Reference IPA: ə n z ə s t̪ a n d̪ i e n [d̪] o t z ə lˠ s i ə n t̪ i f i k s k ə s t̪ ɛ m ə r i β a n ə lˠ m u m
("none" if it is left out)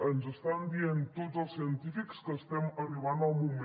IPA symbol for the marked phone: t̪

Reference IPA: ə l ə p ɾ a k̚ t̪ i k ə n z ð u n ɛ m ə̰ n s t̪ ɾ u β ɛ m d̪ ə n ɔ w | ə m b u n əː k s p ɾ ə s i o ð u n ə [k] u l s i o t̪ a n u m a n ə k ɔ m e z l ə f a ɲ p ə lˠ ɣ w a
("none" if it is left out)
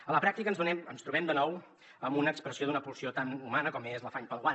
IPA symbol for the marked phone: p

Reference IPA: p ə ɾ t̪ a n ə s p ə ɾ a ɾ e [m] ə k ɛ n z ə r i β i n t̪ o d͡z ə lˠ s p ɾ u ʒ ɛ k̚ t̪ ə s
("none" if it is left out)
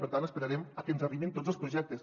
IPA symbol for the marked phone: m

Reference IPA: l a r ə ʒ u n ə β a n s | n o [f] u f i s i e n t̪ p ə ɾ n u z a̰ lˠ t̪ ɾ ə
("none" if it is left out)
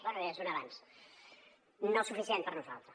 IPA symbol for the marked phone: s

